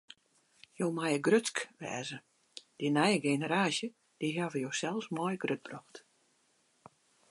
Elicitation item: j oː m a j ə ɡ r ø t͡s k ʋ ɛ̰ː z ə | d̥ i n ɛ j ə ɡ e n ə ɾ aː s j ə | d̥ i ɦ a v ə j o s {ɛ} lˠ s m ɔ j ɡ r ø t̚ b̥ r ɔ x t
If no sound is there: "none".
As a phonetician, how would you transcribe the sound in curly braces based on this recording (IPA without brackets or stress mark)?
ɛ